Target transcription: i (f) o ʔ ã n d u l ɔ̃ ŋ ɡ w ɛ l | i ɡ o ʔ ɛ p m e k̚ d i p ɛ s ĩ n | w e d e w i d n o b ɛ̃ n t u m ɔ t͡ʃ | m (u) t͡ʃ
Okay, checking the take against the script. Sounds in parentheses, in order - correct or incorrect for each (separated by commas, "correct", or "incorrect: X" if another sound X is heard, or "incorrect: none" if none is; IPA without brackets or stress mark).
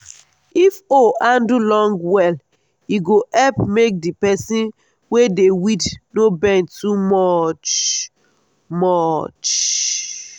correct, incorrect: ɔ